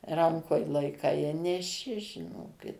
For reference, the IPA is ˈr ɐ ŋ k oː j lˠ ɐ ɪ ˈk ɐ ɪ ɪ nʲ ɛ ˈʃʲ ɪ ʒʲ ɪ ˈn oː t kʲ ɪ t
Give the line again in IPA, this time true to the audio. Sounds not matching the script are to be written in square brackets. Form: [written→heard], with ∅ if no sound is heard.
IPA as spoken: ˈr ɐ ŋ k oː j lˠ ɐ ɪ ˈk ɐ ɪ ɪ nʲ ɛ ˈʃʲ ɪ ʒʲ ɪ ˈn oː [t→∅] kʲ ɪ t